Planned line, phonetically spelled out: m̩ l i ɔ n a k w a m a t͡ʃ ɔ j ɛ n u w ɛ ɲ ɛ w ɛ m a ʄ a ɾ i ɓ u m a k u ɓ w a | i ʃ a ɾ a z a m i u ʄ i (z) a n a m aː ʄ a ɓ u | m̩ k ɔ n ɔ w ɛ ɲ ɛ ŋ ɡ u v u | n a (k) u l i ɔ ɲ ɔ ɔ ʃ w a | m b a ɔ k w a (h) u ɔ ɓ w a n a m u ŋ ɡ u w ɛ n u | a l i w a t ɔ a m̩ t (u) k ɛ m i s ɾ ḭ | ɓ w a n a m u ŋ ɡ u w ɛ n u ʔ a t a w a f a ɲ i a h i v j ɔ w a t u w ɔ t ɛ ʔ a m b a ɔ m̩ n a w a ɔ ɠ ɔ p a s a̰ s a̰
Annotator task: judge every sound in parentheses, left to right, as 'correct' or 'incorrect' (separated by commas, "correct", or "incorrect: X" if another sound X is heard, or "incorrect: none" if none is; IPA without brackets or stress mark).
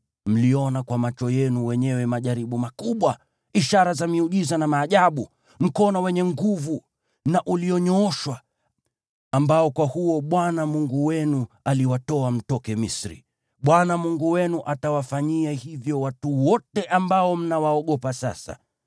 correct, incorrect: ʔ, correct, incorrect: ɔ